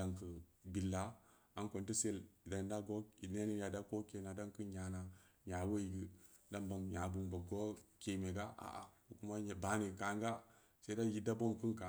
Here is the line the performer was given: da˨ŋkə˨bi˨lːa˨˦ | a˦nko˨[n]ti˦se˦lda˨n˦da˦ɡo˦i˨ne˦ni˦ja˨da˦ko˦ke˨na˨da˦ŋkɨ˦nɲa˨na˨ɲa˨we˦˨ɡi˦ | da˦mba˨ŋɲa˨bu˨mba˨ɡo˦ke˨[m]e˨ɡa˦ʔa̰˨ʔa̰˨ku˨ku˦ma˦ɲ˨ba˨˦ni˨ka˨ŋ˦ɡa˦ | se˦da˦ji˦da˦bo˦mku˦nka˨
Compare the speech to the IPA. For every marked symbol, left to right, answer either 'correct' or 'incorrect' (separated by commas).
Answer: correct, correct